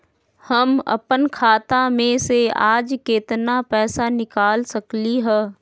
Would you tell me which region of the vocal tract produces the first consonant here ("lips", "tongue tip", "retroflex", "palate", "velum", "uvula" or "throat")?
throat